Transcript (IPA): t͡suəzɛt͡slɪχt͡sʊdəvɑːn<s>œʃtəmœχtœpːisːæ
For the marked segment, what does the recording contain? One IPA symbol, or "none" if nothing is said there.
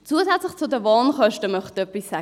χ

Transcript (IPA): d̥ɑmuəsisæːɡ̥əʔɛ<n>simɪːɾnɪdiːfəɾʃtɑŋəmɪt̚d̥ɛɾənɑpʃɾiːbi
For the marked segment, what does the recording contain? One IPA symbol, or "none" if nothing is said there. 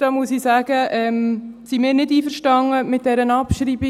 m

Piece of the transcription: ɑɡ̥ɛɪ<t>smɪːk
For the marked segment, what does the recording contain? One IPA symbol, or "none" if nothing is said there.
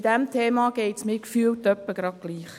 t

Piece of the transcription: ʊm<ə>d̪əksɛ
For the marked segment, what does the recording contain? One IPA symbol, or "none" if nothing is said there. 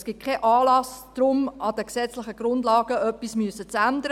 ɑ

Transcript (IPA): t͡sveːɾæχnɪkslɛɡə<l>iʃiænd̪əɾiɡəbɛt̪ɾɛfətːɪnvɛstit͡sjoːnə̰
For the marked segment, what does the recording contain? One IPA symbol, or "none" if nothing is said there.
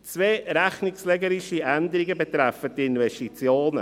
ɾ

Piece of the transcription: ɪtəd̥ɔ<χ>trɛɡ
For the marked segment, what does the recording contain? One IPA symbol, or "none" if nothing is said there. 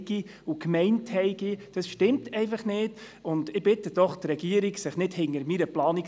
χ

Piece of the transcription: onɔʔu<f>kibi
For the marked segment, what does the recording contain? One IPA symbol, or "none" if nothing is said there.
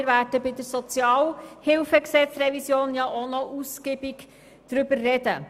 s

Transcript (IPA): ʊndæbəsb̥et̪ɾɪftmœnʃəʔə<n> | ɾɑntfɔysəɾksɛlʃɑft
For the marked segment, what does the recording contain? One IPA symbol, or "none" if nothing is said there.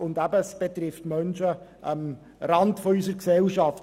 m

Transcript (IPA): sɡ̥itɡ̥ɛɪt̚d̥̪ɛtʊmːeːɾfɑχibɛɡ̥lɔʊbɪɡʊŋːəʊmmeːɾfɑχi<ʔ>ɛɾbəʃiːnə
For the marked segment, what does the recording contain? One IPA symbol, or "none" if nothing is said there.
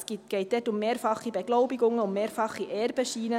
ʔ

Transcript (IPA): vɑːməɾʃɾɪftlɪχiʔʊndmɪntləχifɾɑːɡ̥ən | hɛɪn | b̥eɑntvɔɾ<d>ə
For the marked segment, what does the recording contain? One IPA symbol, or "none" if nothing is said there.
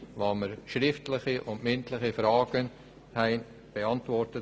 t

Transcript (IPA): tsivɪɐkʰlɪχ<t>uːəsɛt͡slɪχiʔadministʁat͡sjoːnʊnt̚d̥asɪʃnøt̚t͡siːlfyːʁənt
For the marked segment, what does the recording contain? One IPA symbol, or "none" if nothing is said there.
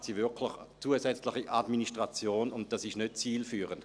t͡s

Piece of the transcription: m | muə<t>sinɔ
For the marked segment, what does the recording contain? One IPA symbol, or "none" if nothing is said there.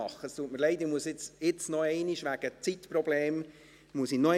none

